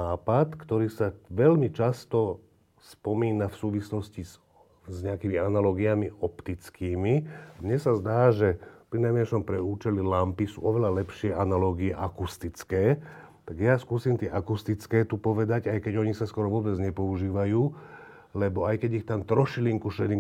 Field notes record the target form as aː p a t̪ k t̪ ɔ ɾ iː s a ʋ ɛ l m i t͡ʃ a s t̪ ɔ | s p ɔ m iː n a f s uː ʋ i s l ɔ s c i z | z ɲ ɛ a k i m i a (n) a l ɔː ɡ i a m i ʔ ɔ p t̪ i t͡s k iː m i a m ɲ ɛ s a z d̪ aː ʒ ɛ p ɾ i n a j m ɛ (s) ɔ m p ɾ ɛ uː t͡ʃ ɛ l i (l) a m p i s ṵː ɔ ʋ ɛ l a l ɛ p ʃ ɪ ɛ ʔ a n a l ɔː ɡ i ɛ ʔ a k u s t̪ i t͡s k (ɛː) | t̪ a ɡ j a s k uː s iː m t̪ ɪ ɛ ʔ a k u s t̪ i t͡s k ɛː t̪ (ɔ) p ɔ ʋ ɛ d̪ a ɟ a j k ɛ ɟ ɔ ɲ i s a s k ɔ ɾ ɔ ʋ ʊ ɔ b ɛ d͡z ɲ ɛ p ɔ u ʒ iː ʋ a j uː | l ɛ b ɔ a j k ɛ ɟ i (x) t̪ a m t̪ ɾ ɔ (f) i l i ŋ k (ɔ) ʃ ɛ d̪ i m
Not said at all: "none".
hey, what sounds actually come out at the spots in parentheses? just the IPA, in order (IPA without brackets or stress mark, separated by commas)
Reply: n, ʃ, l, ɛː, u, x, ʃ, u